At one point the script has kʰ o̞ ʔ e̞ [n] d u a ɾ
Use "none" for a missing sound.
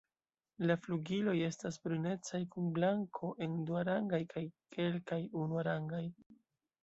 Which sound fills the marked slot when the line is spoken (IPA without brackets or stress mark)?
n